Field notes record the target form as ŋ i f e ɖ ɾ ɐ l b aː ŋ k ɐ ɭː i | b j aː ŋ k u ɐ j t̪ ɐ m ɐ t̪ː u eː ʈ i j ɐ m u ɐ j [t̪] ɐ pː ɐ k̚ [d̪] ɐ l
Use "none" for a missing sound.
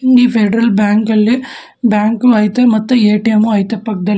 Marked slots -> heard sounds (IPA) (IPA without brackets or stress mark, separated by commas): t̪, d̪